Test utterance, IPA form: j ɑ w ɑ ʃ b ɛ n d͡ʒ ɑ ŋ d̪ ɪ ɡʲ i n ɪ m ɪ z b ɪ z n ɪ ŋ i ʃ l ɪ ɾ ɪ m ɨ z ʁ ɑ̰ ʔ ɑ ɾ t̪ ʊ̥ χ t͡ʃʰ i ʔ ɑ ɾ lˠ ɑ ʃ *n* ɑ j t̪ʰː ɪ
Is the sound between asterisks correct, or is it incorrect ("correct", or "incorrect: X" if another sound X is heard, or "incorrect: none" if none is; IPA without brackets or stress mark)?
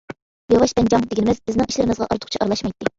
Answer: incorrect: m